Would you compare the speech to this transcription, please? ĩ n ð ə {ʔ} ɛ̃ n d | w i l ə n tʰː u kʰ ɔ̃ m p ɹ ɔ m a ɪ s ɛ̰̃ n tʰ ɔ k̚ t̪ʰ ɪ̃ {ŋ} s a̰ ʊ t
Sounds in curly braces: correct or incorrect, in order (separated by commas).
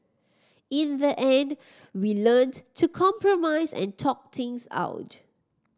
correct, correct